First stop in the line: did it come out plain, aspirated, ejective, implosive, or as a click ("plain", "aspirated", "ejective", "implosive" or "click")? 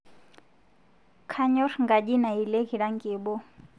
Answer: aspirated